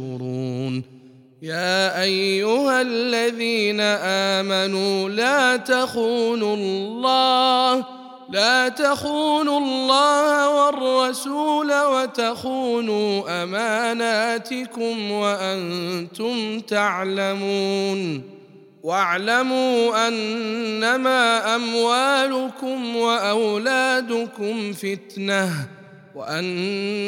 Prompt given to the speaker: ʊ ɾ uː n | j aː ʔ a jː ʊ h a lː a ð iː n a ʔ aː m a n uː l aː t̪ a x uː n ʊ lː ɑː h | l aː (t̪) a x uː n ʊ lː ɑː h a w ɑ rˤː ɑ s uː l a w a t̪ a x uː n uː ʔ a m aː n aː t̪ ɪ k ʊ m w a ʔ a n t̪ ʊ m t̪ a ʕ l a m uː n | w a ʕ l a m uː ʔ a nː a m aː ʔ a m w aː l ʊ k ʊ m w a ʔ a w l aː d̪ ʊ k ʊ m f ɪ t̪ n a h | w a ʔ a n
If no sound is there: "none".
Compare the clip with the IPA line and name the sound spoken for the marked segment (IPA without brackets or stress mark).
t̪